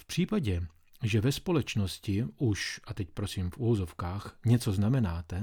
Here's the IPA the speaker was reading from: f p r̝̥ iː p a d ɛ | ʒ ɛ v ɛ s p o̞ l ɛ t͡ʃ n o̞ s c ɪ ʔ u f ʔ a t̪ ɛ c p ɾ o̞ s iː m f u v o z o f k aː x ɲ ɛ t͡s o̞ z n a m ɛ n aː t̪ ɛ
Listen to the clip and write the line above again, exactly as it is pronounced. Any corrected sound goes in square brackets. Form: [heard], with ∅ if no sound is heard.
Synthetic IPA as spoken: f p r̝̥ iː p a [ɟ] ɛ | ʒ ɛ v ɛ s p o̞ l ɛ t͡ʃ n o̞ s c ɪ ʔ u [ʃ] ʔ a t̪ ɛ c p ɾ o̞ s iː m f u v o z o f k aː x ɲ ɛ t͡s o̞ z n a m ɛ n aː t̪ ɛ